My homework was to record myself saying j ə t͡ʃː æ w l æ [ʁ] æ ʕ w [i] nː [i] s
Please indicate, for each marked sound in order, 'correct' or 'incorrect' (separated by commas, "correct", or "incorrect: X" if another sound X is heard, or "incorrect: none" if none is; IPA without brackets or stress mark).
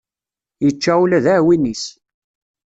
incorrect: ð, correct, correct